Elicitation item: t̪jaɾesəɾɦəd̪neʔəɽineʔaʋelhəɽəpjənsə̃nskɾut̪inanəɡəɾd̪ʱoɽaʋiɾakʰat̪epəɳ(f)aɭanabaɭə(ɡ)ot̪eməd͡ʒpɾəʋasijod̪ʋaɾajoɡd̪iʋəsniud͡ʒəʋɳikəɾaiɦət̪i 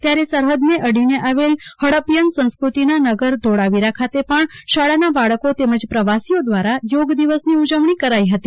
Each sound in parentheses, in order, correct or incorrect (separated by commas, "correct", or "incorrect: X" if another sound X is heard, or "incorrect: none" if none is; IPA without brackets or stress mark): incorrect: ʃ, incorrect: k